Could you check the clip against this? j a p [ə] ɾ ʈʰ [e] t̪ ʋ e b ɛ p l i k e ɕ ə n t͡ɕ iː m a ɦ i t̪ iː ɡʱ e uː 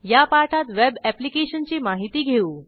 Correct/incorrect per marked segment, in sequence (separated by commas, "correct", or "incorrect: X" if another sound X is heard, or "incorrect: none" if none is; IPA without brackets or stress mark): incorrect: a, incorrect: a